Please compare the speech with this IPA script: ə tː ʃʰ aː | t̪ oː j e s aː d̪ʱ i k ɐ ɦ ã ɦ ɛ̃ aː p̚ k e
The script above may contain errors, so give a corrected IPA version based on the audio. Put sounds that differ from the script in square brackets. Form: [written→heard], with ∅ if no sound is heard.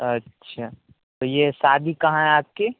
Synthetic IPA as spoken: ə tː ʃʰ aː | t̪ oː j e s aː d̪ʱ i k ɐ ɦ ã ɦ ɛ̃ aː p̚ k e